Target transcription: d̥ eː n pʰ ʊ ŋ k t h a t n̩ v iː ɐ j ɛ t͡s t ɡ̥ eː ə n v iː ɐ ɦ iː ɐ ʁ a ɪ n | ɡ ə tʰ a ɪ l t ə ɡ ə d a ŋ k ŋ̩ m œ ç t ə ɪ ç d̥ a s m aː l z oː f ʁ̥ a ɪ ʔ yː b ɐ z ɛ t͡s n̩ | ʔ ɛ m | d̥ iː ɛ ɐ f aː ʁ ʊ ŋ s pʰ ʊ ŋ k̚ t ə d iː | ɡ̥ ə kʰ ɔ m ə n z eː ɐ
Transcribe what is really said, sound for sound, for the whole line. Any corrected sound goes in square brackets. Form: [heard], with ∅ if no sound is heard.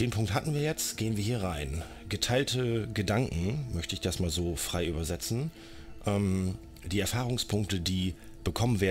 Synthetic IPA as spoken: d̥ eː n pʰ ʊ ŋ k t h a t n̩ v iː ɐ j ɛ t͡s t ɡ̥ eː ə n v iː ɐ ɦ iː ɐ ʁ a ɪ n | ɡ ə tʰ a ɪ l t ə ɡ ə d a ŋ k ŋ̩ m œ ç t ə ɪ ç d̥ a s m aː l z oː f ʁ̥ a ɪ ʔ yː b ɐ z ɛ t͡s n̩ | ʔ ɛ m | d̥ iː ɛ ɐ f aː ʁ ʊ ŋ s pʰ ʊ ŋ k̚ t ə d iː | [b̥] ə kʰ ɔ m ə n [v] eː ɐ